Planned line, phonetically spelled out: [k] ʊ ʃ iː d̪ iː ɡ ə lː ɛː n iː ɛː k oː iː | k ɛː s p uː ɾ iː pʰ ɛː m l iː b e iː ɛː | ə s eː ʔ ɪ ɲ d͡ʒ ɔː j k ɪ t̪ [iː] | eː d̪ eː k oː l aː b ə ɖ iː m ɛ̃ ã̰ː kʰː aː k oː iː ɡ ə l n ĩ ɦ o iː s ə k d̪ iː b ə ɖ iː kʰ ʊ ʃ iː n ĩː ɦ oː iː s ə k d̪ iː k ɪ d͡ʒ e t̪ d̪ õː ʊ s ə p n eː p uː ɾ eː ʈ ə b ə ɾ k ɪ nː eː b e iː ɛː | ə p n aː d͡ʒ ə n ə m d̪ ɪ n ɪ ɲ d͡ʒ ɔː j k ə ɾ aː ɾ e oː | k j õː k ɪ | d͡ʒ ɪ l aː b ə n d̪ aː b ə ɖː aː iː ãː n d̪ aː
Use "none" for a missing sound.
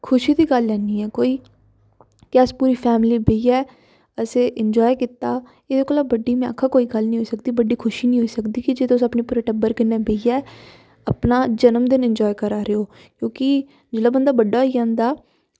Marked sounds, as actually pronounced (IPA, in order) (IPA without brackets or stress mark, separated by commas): kʰ, aː